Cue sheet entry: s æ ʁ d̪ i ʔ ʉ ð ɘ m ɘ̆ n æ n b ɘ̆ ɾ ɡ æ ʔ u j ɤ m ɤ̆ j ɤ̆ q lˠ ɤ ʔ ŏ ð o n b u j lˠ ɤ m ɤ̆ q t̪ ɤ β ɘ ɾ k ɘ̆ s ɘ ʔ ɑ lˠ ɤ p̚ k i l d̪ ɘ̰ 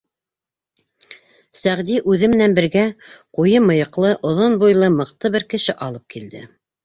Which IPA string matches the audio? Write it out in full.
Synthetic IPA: s æ ʁ d̪ i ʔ ʉ ð ɘ m ɘ̆ n æ n b ɘ̆ ɾ ɡ æ q u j ɤ m ɤ̆ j ɤ̆ q lˠ ɤ ʔ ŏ ð o n b u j lˠ ɤ m ɤ̆ q t̪ ɤ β ɘ ɾ k ɘ̆ ʃ ɘ ʔ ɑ lˠ ɤ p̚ k i l d̪ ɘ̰